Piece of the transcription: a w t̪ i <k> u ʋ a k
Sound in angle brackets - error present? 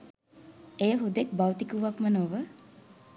no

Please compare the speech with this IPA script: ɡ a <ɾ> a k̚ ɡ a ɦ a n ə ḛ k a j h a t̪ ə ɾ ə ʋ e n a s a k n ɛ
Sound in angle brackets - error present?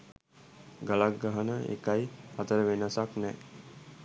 yes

